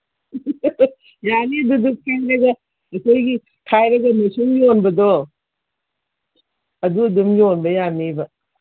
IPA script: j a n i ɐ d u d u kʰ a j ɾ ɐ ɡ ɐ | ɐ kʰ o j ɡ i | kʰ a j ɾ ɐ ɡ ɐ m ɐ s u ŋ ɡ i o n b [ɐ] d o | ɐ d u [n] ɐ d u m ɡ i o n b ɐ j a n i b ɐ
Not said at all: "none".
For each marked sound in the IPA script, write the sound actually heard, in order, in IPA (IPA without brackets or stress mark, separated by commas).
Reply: ɐ, none